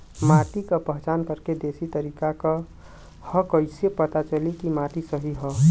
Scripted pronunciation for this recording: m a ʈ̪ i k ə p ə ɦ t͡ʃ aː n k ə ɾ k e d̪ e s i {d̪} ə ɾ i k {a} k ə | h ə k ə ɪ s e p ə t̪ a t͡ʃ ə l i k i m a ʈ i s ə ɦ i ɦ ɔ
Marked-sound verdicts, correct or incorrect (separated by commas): incorrect, correct